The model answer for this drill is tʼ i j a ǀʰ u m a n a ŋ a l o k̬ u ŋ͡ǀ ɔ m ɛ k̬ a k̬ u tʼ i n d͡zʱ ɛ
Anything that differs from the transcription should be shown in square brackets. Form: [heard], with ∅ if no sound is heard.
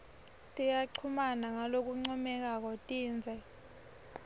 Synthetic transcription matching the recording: tʼ i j a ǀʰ u m a n a ŋ a l o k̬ u ŋ͡ǀ ɔ m ɛ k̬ a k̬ [ɔ] tʼ [iː] n d͡zʱ ɛ